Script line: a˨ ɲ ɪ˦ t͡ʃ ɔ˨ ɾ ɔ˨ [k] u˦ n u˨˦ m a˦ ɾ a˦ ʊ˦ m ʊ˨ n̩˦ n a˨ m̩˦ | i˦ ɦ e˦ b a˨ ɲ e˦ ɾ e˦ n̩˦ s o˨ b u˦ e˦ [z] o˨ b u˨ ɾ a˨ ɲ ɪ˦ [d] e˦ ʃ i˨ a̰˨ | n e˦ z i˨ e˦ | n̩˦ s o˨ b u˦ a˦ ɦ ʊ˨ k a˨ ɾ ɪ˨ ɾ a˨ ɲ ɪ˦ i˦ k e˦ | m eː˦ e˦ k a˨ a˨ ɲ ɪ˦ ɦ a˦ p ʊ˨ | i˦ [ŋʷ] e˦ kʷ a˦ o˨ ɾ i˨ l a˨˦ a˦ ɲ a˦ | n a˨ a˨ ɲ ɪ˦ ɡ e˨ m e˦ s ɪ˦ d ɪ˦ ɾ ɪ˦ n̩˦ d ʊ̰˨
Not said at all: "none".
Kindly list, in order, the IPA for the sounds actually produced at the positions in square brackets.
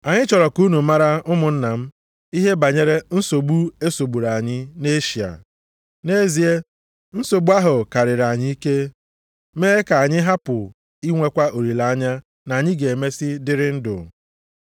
k, s, n, ŋʷ

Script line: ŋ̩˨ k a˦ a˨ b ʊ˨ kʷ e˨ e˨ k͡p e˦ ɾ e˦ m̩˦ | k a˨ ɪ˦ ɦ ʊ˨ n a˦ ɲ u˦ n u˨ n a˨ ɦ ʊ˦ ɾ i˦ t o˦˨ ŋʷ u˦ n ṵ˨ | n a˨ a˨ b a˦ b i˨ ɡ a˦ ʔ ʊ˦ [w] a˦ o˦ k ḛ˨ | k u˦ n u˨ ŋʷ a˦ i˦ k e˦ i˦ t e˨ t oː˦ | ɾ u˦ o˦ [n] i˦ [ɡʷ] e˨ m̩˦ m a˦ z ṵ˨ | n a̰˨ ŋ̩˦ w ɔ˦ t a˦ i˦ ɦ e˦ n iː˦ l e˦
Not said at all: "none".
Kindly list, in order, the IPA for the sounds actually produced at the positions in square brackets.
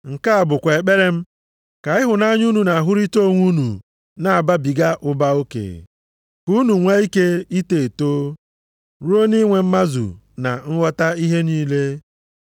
b, n, ŋʷ

